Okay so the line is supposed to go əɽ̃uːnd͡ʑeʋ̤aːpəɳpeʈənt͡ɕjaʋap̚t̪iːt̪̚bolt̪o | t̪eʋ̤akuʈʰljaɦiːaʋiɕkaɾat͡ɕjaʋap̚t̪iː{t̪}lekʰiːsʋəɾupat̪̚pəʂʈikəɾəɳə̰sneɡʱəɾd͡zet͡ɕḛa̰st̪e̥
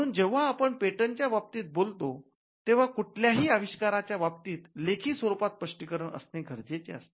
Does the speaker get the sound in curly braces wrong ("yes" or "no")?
no